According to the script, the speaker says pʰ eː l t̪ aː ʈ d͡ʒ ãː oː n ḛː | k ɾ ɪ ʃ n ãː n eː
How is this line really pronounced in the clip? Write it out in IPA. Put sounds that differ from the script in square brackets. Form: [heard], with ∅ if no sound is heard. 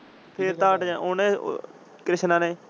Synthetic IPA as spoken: pʰ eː [ɾ] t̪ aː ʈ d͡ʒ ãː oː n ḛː | k ɾ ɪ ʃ n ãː n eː